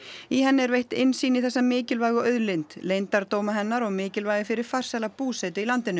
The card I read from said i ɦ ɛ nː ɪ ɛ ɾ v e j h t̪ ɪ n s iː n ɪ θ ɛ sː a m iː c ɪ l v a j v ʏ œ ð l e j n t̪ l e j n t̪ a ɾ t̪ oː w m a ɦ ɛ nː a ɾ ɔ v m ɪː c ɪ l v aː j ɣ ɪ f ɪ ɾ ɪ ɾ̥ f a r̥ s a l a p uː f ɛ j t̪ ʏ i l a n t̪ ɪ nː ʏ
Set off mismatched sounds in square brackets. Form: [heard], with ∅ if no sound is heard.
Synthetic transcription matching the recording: i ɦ ɛ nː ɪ ɛ ɾ v e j h t̪ ɪ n s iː n ɪ θ ɛ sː a m [ɪː] c ɪ l v a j [ɣ] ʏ œ ð l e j n t̪ l e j n t̪ a ɾ t̪ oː w m a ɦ ɛ nː a ɾ ɔ [ɣ] m ɪː c ɪ l v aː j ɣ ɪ f ɪ ɾ ɪ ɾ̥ f a r̥ s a l a p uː [s] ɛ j t̪ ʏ i l a n t̪ ɪ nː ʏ